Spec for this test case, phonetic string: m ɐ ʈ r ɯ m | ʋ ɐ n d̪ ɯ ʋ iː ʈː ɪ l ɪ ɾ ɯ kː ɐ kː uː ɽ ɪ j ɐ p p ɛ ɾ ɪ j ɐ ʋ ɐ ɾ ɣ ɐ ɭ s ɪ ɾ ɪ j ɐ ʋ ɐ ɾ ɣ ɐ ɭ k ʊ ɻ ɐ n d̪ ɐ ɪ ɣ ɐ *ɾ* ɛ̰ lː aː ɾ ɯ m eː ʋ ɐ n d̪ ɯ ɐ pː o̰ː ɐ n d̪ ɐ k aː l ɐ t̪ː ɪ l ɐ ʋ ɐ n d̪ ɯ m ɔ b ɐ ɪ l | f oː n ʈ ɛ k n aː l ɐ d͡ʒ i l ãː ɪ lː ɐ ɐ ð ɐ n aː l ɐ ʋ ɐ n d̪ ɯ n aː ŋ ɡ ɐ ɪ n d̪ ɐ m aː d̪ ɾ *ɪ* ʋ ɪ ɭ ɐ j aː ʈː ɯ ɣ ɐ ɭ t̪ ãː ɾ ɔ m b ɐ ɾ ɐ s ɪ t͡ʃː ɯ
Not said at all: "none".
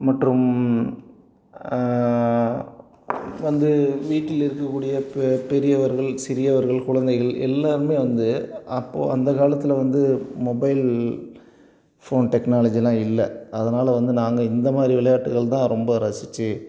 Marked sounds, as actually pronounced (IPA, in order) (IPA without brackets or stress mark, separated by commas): ɭ, i